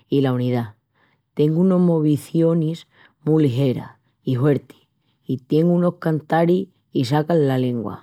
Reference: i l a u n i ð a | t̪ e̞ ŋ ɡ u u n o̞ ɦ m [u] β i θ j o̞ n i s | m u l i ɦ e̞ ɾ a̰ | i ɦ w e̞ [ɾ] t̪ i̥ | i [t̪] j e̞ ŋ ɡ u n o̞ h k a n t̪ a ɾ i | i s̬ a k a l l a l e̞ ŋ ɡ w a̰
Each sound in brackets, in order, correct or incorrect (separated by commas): incorrect, correct, correct